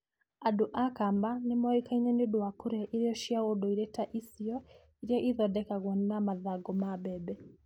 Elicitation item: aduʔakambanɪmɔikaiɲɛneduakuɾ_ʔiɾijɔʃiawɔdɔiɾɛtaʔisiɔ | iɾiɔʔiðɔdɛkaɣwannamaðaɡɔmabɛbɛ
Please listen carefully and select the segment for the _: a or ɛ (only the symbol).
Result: ɛ